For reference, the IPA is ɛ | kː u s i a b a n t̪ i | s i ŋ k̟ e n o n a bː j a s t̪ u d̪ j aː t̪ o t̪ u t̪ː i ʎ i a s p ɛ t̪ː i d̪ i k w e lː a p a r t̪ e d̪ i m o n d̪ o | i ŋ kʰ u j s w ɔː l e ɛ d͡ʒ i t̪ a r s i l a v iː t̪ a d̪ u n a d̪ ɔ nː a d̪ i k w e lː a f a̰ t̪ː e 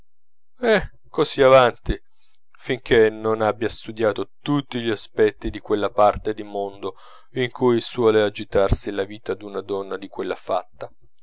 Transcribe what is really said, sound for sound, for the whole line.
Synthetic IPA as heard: ɛ | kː o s i a v a n t̪ i | f i ŋ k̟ e n o n a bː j a s t̪ u d̪ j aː t̪ o t̪ u t̪ː i ʎ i a s p ɛ t̪ː i d̪ i k w e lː a p a r t̪ e d̪ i m o n d̪ o | i ŋ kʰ u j s w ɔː l e a d͡ʒ i t̪ a r s i l a v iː t̪ a d̪ u n a d̪ ɔ nː a d̪ i k w e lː a f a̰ t̪ː a